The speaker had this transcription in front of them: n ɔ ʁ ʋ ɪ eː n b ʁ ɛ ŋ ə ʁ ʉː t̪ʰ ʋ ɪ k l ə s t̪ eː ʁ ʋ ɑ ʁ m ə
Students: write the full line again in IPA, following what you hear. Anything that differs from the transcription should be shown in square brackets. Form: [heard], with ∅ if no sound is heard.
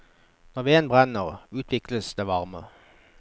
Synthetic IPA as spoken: n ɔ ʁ ʋ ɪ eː n b ʁ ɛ [n] ə ʁ ʉː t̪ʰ ʋ ɪ k l ə s [d̪] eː [∅] ʋ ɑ ʁ m ə